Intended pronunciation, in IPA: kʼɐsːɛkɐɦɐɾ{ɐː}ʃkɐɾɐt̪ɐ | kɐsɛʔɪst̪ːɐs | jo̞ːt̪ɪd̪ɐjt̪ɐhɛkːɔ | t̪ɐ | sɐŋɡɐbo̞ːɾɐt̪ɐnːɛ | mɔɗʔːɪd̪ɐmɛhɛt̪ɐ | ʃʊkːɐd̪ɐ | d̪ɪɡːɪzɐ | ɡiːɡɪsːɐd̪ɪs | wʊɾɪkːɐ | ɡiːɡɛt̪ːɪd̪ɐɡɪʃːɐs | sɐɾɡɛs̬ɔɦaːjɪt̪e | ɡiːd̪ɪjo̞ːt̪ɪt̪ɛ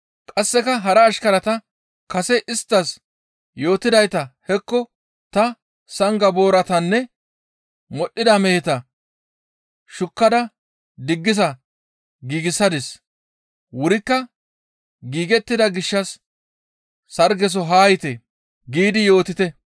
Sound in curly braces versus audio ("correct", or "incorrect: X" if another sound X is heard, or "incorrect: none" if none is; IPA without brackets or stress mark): correct